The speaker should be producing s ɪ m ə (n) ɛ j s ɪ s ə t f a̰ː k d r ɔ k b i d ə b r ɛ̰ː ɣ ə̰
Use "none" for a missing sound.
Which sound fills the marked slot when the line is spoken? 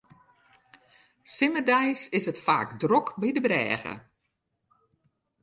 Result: d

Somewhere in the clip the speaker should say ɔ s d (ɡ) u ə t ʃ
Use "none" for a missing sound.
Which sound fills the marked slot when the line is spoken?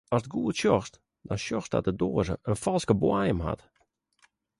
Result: ɡ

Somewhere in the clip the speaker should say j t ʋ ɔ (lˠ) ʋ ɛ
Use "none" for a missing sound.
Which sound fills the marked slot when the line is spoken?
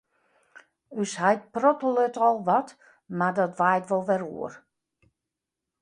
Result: lˠ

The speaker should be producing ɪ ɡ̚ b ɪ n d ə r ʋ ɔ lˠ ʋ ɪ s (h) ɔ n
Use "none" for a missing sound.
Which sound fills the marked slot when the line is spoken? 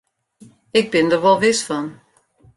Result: f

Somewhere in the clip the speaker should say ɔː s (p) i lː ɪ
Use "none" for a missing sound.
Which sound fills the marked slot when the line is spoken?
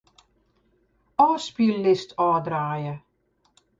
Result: p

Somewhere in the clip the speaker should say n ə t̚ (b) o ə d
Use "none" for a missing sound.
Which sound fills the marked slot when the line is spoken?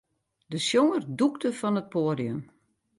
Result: p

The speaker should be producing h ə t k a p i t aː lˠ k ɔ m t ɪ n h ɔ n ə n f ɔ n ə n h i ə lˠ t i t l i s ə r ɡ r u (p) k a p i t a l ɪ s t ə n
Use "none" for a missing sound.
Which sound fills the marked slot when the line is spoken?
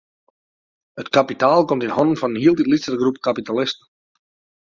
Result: p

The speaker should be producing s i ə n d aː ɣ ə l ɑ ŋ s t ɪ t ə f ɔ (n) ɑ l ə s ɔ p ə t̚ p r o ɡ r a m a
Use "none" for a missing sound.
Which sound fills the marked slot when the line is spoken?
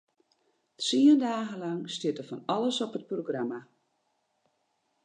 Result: n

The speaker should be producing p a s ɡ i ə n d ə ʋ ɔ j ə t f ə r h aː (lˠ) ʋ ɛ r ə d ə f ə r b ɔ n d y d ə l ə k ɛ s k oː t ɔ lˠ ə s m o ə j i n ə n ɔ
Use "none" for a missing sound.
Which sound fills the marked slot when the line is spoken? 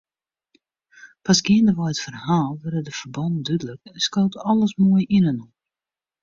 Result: lˠ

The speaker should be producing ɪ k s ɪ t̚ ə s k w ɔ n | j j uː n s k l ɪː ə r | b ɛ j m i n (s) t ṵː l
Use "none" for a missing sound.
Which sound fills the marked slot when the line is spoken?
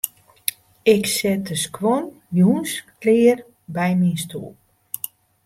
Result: s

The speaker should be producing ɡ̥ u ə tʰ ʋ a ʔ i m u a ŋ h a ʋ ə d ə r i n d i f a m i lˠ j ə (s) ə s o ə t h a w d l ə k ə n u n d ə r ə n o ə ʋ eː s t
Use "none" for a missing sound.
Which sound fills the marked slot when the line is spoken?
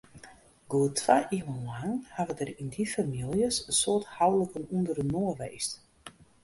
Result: s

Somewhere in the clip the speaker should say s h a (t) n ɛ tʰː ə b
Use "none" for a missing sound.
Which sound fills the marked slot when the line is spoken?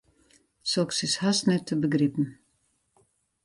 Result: s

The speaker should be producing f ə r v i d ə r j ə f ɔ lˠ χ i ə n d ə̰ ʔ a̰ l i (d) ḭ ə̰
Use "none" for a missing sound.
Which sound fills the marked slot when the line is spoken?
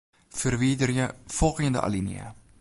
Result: n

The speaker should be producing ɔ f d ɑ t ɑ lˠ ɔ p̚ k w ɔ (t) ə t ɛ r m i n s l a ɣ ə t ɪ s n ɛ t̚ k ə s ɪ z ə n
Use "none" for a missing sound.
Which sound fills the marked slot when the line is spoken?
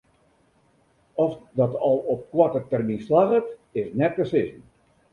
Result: t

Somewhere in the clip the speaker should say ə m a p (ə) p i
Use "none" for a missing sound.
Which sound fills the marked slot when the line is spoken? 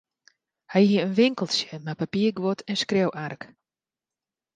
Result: a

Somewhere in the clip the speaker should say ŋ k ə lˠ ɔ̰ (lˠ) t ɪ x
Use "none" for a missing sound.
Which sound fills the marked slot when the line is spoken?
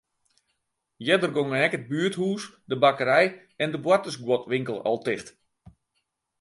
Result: lˠ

